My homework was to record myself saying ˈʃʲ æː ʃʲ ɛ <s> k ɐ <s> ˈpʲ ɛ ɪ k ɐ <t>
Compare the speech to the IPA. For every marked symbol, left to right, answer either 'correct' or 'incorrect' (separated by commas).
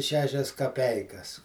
correct, incorrect, incorrect